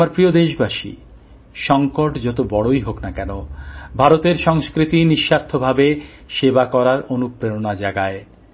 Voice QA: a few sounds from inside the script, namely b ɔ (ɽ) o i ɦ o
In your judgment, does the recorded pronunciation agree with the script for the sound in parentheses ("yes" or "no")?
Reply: yes